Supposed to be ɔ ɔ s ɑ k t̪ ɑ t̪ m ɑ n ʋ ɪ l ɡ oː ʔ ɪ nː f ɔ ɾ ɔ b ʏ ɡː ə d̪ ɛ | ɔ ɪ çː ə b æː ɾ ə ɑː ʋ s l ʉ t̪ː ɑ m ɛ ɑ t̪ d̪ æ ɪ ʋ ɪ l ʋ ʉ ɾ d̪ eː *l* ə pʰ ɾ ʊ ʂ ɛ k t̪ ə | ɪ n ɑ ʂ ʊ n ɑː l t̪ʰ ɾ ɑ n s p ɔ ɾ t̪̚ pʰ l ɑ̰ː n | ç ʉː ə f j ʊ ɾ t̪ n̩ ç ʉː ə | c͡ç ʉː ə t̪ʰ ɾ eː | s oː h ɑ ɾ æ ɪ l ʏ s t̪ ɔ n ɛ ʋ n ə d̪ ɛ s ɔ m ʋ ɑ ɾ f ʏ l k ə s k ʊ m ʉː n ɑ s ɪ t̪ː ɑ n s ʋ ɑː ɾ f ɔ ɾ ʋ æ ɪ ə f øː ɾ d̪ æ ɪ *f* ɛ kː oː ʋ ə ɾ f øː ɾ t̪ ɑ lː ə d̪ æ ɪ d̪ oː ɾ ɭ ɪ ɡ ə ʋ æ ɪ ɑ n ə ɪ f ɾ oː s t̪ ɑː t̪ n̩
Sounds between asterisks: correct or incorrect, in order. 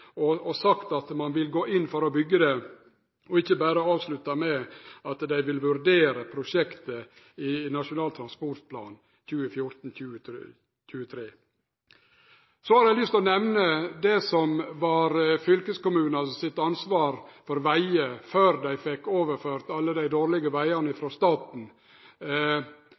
incorrect: ɾ, correct

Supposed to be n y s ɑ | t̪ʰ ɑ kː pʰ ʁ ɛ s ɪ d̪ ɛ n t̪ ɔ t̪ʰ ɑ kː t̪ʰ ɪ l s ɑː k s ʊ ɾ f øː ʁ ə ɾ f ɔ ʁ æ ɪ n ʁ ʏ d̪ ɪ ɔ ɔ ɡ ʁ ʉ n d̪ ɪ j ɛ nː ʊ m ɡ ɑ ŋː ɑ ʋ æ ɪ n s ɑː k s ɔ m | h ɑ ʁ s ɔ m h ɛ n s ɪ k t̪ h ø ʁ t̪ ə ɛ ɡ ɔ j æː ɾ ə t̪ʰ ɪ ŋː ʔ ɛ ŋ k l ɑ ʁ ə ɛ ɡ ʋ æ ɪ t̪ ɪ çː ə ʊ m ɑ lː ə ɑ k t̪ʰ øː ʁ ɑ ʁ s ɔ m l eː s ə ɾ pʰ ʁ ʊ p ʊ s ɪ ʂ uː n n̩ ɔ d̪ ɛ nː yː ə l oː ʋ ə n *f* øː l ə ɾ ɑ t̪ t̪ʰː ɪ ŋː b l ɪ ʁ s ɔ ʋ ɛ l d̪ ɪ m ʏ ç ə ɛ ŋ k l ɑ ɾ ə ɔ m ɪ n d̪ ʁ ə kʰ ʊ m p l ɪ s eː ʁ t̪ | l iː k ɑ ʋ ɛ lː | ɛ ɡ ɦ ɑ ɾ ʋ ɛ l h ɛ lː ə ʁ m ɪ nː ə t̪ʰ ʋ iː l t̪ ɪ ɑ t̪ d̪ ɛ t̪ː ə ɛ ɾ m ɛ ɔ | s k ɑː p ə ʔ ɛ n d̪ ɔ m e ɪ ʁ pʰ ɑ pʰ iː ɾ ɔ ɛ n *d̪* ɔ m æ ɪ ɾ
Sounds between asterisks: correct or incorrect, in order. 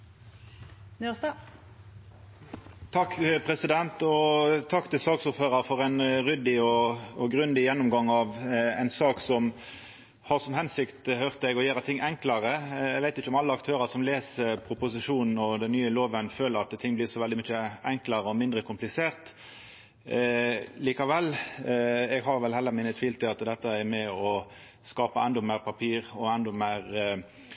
correct, correct

